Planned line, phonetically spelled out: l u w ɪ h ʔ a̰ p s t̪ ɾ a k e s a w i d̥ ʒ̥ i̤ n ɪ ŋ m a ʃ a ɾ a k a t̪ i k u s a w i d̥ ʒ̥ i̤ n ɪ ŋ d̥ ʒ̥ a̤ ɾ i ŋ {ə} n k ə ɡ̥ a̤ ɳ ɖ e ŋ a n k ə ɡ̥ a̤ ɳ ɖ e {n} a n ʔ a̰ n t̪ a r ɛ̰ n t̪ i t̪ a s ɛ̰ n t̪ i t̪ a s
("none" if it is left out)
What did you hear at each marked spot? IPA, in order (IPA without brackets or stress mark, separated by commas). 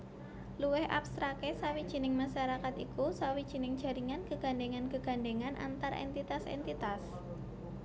a, ŋ